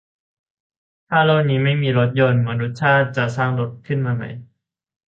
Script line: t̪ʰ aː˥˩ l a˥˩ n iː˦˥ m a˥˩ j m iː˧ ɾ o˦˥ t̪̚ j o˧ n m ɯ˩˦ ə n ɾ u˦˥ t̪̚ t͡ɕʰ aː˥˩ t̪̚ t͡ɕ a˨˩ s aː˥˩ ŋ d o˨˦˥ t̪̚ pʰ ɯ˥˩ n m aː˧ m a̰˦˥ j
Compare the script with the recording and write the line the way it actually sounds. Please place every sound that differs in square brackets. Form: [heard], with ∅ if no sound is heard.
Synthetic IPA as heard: t̪ʰ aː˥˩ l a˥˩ n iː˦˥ m a˥˩ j m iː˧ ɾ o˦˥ t̪̚ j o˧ n m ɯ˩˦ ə n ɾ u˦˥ t̪̚ t͡ɕʰ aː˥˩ t̪̚ t͡ɕ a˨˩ s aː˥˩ ŋ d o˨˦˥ t̪̚ [kʰ] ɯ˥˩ n m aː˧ m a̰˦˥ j